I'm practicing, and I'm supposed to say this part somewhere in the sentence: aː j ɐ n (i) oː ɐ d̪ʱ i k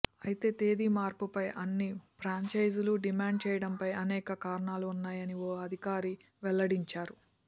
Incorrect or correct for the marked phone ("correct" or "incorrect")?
correct